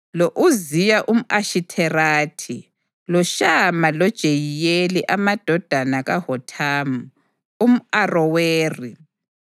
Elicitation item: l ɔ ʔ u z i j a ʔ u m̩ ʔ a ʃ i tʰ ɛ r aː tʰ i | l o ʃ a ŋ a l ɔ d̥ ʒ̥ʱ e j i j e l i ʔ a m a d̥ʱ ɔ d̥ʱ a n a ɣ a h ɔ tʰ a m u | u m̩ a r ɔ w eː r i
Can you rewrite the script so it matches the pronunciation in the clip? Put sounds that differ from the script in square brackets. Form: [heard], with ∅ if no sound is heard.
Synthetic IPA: l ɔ ʔ u z i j a ʔ u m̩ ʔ a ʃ i tʰ ɛ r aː tʰ i | l [ɔ] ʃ a [m] a l ɔ d̥ ʒ̥ʱ e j i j e l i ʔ a m a d̥ʱ ɔ d̥ʱ a n a ɣ a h ɔ tʰ a m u | u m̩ a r ɔ w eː r i